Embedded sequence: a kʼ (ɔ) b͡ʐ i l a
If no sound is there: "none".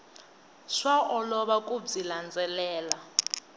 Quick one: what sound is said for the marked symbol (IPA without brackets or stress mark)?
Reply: u